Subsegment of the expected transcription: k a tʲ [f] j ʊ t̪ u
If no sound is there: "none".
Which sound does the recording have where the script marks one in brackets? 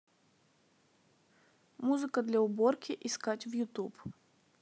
v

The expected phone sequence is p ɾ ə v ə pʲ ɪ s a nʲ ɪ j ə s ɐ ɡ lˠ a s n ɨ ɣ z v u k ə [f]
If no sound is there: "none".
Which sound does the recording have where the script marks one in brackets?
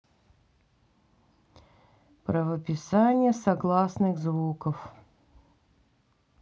f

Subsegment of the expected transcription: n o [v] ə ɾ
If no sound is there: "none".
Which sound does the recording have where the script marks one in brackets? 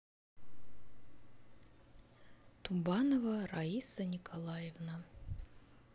v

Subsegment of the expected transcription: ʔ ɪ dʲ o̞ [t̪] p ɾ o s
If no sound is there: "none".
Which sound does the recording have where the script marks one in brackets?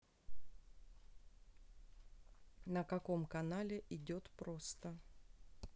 t̪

